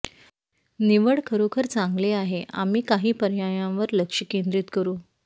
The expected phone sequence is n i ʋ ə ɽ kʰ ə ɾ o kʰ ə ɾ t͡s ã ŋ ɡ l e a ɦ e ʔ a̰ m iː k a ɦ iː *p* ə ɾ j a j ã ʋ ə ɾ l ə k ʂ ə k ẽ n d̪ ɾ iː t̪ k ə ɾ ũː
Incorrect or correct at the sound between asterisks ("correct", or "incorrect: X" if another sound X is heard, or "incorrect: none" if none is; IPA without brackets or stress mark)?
correct